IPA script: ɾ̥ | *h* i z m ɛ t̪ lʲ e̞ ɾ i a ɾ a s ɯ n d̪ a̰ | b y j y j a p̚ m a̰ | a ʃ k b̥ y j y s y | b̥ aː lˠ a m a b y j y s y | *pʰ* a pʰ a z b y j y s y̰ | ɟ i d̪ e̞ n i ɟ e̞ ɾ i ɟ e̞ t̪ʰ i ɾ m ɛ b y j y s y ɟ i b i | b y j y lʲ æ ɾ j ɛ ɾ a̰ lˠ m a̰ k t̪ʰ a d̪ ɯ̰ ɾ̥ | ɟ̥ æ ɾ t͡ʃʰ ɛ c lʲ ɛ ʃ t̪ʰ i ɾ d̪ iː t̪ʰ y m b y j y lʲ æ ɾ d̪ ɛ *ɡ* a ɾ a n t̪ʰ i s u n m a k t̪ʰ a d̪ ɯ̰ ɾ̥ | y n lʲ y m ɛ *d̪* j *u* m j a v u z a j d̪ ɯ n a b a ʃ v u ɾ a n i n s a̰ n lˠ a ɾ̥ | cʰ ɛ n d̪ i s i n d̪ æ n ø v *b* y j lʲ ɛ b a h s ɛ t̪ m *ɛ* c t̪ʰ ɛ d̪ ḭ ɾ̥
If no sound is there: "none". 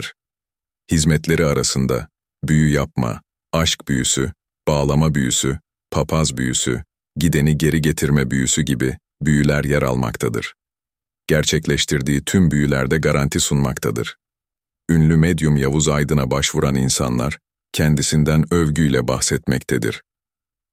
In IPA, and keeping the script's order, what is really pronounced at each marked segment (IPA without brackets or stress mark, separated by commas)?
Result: h, pʰ, ɡ, d̪, u, ɟ, ɛ